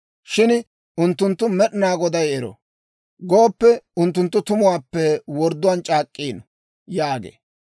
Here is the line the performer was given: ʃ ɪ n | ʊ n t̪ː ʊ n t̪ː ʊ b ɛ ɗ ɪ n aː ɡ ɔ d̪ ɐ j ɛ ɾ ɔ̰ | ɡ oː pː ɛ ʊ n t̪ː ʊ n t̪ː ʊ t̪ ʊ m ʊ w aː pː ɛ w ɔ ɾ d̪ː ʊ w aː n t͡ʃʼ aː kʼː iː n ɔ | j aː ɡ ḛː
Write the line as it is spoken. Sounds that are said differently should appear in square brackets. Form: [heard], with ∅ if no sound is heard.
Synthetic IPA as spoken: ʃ ɪ n | ʊ n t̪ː ʊ n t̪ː ʊ [m] ɛ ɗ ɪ n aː ɡ ɔ d̪ ɐ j ɛ ɾ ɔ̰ | ɡ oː pː ɛ ʊ n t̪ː ʊ n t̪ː ʊ t̪ ʊ m ʊ w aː pː ɛ w ɔ ɾ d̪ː ʊ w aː n t͡ʃʼ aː kʼː iː n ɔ | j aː ɡ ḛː